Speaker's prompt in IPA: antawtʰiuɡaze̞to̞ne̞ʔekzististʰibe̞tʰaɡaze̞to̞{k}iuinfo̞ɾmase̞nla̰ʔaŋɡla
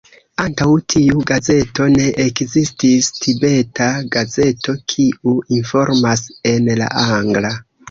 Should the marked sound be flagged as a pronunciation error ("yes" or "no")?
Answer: yes